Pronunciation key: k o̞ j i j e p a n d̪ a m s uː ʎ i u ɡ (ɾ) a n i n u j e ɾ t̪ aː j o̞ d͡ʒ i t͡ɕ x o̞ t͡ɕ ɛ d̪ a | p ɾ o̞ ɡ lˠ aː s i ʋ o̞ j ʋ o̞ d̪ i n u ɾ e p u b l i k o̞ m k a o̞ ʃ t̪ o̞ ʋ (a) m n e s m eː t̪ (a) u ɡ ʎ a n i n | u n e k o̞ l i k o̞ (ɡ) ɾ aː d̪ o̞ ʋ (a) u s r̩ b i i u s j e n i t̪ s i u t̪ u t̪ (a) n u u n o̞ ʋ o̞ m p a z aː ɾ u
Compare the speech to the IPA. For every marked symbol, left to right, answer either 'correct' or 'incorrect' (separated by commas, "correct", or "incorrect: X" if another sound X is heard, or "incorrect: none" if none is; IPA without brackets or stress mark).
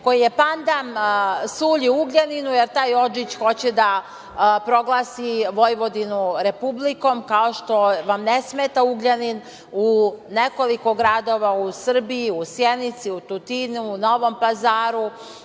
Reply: incorrect: ʎ, correct, correct, correct, correct, incorrect: i